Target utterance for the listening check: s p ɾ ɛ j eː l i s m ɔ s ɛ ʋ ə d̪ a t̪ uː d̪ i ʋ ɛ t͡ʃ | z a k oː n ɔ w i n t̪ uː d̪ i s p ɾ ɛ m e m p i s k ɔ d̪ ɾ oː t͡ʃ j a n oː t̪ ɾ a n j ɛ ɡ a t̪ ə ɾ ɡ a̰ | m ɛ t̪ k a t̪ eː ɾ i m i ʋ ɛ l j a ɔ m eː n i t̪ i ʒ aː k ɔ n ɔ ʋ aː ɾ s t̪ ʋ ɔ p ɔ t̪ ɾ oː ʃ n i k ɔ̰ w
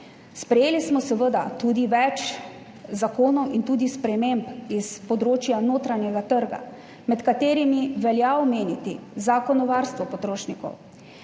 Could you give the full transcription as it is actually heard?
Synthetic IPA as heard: s p ɾ ɛ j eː l i s m ɔ s ɛ ʋ ə d̪ a t̪ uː d̪ i ʋ ɛ t͡ʃ | z a k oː n ɔ w i n t̪ uː d̪ i s p ɾ ɛ m e m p i s p ɔ d̪ ɾ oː t͡ʃ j a n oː t̪ ɾ a n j ɛ ɡ a t̪ ə ɾ ɡ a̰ | m ɛ t̪ k a t̪ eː ɾ i m i ʋ ɛ l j a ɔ m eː n i t̪ i z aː k ɔ n ɔ ʋ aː ɾ s t̪ ʋ ɔ p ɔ t̪ ɾ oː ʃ n i k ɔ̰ w